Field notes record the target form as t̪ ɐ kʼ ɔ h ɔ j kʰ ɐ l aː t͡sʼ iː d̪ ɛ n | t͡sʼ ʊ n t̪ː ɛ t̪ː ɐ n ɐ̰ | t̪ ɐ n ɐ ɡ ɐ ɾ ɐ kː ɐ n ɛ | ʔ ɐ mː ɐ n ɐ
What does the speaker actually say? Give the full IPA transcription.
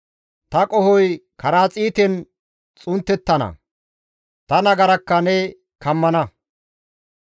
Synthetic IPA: t̪ ɐ kʼ ɔ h ɔ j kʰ ɐ ɾ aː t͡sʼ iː t̪ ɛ n | t͡sʼ ʊ n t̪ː ɛ t̪ː ɐ n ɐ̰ | t̪ ɐ n ɐ ɡ ɐ ɾ ɐ kː ɐ n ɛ | k ɐ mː ɐ n ɐ